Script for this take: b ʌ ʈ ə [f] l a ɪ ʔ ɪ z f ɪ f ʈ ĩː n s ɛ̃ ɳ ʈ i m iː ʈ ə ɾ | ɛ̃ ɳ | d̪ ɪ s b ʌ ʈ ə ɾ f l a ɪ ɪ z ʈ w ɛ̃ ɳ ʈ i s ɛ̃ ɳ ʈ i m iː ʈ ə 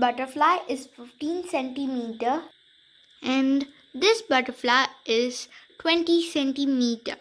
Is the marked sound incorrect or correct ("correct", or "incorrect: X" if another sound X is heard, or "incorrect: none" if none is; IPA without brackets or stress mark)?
correct